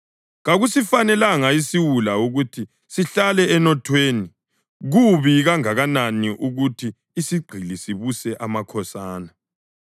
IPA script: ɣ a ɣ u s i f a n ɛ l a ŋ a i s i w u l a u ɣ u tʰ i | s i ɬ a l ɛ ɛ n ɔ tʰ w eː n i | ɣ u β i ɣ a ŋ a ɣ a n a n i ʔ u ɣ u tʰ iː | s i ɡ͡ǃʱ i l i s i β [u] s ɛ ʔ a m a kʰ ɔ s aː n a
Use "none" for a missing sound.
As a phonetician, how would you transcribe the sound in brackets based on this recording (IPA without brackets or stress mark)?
u